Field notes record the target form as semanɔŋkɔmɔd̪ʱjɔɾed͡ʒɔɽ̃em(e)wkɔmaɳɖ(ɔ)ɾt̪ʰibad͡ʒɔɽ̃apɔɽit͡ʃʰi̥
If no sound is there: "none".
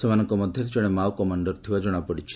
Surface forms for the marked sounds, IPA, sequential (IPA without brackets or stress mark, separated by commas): a, ɔ